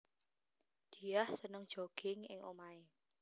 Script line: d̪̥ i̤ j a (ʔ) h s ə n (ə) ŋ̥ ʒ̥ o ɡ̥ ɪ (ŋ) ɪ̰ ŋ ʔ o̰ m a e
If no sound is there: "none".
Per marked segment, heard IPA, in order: none, ə, ŋ

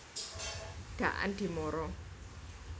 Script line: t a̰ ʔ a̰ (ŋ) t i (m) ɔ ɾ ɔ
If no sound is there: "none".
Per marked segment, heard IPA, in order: n, m

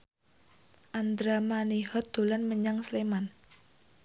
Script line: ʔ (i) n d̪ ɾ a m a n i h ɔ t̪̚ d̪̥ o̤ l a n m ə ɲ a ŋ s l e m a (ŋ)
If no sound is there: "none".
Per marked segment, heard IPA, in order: a, n

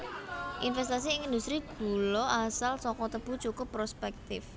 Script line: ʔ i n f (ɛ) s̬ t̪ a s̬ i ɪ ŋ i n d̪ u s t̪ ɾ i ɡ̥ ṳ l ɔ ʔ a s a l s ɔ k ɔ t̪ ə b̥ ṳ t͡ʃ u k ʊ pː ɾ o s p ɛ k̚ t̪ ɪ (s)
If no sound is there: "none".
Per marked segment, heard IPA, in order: ɛ, f

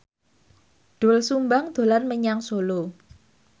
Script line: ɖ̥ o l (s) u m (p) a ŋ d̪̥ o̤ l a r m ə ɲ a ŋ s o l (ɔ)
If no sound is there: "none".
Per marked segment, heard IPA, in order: s, b, o

